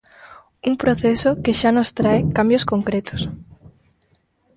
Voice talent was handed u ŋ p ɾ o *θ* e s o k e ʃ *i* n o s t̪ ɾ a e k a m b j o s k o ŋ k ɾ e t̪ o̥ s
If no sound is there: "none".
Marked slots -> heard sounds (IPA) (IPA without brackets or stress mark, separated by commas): θ, a